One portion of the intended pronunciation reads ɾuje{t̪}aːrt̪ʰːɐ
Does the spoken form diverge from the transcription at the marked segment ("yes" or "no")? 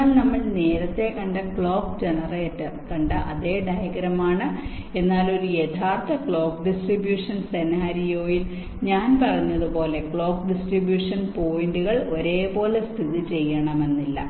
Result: yes